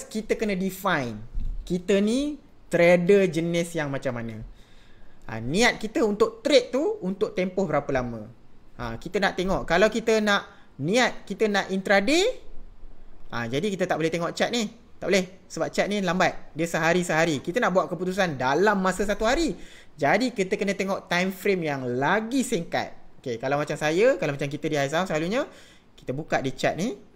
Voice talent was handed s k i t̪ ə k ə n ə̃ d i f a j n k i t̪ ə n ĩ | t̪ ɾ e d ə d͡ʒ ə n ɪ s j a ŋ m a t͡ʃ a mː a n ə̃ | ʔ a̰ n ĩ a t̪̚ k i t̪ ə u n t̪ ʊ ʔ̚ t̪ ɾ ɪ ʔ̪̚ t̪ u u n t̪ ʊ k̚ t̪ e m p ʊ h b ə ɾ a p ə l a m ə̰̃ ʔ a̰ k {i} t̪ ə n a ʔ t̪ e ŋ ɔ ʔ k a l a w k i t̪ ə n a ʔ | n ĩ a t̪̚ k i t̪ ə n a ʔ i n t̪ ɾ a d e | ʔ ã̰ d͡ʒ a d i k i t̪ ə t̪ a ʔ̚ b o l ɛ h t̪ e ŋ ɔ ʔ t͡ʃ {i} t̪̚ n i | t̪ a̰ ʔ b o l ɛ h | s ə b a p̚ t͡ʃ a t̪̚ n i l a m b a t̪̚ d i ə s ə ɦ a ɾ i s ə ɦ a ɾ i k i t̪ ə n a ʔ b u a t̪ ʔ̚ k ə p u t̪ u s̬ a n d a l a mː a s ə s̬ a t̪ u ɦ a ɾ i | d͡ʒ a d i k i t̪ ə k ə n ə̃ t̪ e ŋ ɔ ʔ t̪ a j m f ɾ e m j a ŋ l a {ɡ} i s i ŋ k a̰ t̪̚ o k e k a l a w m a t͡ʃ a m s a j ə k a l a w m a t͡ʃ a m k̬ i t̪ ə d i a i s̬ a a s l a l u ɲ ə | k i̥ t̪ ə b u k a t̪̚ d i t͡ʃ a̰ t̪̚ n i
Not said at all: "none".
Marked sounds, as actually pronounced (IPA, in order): i, a, ɡ

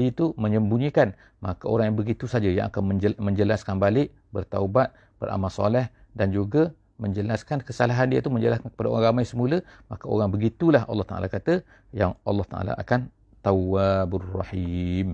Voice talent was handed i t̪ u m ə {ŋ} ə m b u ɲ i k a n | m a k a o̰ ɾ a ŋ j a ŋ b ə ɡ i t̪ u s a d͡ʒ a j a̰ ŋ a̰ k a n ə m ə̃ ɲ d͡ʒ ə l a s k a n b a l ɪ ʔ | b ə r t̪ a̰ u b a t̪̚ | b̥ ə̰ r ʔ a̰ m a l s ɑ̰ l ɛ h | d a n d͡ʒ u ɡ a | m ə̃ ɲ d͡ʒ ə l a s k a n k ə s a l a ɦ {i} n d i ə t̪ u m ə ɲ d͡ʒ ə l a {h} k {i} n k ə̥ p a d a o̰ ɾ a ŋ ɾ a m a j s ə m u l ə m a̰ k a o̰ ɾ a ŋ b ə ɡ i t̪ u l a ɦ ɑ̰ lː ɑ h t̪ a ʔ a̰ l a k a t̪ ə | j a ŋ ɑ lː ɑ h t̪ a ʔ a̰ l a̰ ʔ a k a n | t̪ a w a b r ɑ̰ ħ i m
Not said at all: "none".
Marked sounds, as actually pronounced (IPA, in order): ɲ, a, s, a

